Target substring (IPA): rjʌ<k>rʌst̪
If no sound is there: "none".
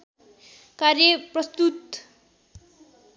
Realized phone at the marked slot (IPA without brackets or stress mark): p